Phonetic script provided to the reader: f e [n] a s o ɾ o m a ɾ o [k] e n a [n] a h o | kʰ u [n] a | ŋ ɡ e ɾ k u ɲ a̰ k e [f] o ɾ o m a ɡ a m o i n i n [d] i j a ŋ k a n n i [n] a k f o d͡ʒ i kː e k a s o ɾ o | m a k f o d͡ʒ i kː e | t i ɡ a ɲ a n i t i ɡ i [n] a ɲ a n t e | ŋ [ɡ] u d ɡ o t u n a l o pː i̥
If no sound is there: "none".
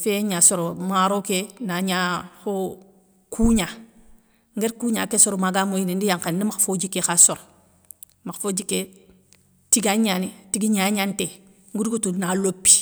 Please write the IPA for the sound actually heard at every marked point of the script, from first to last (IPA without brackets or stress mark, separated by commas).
ɲ, k, ɲ, ɲ, s, d, m, ɲ, ɡ